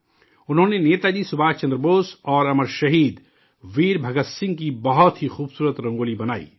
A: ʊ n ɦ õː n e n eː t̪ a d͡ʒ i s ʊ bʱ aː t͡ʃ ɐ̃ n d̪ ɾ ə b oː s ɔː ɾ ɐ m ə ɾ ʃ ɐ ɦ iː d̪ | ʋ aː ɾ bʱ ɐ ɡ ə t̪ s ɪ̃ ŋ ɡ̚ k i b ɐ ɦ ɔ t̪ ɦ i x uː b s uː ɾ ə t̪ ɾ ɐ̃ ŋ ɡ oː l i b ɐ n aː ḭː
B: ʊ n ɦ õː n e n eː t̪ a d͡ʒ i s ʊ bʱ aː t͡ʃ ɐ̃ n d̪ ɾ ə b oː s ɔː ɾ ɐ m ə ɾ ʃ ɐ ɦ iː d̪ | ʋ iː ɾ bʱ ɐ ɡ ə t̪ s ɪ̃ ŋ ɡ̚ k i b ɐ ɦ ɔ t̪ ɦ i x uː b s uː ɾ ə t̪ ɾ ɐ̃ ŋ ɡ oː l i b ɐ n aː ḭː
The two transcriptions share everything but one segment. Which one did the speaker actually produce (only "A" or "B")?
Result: B